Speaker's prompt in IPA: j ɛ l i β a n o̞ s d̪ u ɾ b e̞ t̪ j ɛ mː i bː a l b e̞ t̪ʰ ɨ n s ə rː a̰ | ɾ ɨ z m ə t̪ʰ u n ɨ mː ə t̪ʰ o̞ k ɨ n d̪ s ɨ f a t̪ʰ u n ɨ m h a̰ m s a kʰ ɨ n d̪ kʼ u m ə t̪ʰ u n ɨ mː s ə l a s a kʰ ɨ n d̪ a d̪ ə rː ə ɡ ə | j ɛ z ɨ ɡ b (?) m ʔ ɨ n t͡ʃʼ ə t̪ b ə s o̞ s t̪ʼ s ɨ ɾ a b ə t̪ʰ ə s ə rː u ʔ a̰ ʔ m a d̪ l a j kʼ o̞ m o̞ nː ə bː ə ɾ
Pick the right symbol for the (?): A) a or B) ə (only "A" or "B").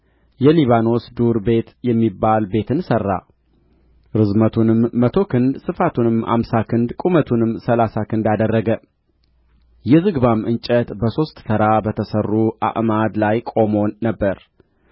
A